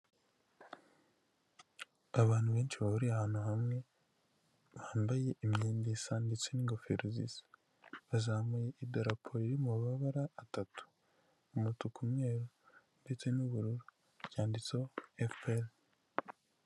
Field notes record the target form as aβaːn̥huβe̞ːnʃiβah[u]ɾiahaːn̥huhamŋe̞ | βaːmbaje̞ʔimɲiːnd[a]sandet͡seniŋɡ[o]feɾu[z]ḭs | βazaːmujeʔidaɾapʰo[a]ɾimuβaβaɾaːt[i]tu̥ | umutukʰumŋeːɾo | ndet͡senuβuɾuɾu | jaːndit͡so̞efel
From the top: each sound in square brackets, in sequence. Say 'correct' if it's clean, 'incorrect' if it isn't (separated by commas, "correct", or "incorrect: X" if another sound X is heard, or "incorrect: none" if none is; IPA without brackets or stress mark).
correct, incorrect: i, correct, correct, incorrect: i, incorrect: a